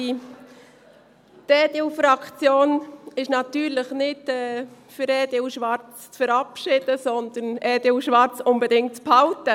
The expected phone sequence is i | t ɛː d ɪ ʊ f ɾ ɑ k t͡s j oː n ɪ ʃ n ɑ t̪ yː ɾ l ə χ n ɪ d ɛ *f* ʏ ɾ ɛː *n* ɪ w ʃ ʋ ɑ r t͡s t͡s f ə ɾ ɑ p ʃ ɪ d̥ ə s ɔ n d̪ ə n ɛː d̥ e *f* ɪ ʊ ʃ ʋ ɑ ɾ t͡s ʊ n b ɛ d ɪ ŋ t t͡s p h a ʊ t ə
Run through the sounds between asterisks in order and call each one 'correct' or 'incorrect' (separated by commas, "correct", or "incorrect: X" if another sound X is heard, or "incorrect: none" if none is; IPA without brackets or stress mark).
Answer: correct, incorrect: d, incorrect: none